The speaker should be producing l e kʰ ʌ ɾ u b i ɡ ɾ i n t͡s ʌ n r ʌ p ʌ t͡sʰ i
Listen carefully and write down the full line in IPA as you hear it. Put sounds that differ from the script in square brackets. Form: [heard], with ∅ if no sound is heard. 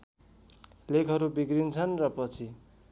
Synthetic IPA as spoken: l e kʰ ʌ ɾ u b i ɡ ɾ i n [t͡sʰ] ʌ n r ʌ p ʌ t͡sʰ i